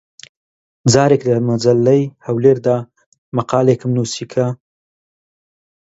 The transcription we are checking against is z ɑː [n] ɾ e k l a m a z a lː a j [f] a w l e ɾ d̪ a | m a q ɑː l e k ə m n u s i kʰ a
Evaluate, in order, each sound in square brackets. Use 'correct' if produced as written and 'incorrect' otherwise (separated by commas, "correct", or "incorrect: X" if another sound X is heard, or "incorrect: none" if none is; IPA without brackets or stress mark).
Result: incorrect: none, incorrect: h